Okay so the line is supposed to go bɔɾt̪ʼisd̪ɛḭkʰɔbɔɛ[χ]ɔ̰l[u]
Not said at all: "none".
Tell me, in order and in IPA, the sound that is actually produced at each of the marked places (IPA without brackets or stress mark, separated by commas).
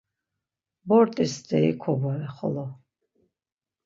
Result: χ, ɔ